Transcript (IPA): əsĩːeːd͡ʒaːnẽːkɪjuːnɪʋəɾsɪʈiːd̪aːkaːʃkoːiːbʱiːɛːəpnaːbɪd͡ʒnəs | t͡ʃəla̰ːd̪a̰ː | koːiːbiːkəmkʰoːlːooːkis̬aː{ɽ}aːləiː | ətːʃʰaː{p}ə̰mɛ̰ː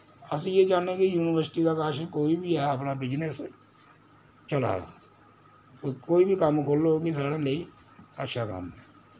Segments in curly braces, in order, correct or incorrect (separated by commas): correct, incorrect